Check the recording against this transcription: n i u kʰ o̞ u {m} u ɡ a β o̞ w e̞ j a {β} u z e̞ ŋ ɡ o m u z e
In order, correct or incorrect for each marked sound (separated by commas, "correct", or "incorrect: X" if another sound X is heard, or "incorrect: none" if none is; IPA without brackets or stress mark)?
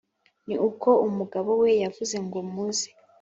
correct, incorrect: v